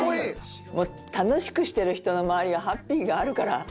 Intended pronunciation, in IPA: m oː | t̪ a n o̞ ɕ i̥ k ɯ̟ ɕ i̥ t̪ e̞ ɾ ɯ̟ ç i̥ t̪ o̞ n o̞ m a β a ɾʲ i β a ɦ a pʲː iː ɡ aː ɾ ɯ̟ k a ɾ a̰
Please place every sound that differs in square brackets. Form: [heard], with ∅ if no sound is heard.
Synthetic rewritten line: m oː | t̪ a n o̞ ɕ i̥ k ɯ̟ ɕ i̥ t̪ e̞ ɾ ɯ̟ ç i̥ t̪ o̞ n o̞ m a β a ɾʲ i β a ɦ a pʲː iː ɡ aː ɾ ɯ̟ k a ɾ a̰